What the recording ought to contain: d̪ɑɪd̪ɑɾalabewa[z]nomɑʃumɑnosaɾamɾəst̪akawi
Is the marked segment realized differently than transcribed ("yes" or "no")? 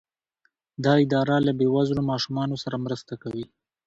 no